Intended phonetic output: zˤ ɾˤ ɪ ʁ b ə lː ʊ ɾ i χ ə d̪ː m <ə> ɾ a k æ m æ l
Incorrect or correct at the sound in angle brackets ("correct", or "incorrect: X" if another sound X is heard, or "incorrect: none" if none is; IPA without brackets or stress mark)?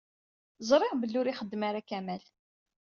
incorrect: a